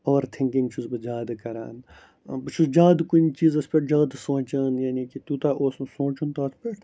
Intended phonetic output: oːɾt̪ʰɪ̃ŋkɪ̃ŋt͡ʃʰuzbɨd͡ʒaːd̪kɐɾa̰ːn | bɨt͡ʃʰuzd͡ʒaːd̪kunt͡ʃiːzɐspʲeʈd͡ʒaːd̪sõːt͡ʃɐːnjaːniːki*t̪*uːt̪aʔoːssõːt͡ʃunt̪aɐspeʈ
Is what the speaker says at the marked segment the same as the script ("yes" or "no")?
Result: yes